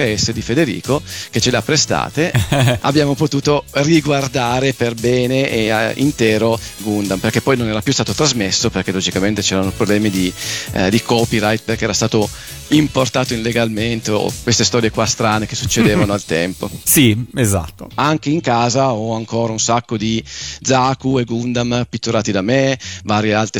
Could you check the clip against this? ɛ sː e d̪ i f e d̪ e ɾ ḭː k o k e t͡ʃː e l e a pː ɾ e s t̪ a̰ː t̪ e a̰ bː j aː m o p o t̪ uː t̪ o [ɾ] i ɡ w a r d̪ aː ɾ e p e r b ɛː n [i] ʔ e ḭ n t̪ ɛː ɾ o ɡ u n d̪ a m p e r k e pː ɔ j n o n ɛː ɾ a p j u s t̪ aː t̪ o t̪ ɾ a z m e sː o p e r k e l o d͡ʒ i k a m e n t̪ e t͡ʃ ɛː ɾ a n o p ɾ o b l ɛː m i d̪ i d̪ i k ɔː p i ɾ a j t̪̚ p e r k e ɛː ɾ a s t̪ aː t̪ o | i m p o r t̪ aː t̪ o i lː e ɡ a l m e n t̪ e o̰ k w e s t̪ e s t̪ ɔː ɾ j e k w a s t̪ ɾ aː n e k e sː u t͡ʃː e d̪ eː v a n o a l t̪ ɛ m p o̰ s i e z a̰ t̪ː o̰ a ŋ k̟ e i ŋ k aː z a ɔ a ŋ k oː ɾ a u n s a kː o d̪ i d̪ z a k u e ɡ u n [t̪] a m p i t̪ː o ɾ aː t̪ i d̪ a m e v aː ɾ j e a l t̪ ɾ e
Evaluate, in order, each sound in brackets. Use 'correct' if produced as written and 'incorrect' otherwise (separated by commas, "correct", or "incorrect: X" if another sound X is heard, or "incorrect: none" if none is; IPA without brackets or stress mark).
incorrect: r, incorrect: e, incorrect: d̪